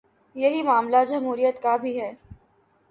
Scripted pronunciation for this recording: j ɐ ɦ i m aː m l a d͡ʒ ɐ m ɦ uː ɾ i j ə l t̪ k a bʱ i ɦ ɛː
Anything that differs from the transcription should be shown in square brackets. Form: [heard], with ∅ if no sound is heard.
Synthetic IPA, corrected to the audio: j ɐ ɦ i m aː m l a d͡ʒ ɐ m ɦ uː ɾ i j ə [∅] t̪ k a bʱ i ɦ ɛː

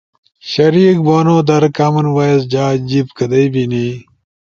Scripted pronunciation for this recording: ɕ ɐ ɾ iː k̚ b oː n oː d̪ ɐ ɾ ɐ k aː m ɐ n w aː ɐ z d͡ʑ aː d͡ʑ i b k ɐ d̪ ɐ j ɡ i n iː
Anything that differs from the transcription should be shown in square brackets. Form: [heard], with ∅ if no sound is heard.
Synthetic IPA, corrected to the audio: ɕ ɐ ɾ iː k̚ b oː n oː d̪ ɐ ɾ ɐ k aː m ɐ n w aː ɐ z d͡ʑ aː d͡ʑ i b k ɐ d̪ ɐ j [b] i n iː

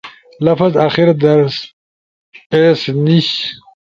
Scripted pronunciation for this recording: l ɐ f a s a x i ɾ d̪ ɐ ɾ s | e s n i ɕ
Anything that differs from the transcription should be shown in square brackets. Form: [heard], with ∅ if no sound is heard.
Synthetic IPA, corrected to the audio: l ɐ f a [z] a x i ɾ d̪ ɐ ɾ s | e s n i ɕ

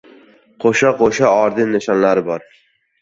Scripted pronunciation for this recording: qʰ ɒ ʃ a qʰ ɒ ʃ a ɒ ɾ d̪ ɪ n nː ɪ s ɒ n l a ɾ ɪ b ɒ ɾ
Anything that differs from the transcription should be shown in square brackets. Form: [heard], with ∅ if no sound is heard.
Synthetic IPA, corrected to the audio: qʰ [o] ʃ a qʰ [o] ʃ a ɒ ɾ d̪ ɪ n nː ɪ [ʃ] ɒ n l a ɾ ɪ b ɒ ɾ

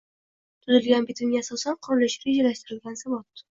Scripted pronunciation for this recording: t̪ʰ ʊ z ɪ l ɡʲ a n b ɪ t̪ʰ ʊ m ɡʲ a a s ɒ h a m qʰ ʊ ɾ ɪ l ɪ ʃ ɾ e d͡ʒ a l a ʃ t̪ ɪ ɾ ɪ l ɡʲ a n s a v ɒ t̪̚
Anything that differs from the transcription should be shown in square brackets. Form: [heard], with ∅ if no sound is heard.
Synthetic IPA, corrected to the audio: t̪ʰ ʊ z ɪ l ɡʲ a n b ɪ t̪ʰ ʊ m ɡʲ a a s ɒ [s] a [n] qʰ ʊ ɾ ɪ l ɪ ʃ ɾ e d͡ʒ a l a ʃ t̪ ɪ ɾ ɪ l ɡʲ a n s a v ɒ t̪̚

